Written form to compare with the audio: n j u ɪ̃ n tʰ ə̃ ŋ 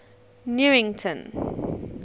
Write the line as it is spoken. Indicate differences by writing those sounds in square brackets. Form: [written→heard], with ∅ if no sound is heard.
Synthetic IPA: n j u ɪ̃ [n→ŋ] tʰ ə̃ [ŋ→n]